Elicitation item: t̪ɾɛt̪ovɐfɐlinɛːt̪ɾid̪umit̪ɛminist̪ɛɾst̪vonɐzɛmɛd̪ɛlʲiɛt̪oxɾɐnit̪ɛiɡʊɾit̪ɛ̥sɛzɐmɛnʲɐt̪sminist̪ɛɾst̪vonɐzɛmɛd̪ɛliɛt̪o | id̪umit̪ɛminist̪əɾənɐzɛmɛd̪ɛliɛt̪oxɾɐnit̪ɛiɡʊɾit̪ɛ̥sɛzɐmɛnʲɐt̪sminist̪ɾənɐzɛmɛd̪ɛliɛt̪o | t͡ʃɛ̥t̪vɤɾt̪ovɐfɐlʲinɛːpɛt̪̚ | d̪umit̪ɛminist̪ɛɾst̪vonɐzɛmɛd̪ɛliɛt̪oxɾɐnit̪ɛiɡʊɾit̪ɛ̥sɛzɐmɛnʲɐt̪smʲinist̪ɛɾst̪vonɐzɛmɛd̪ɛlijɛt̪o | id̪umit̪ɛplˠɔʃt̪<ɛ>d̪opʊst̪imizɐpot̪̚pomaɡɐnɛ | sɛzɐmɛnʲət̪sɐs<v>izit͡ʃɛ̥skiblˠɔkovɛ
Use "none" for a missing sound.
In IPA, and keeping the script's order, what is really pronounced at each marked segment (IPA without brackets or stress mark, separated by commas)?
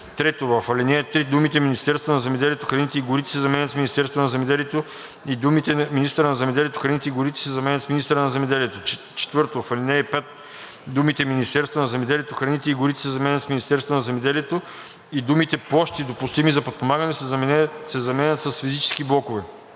i, f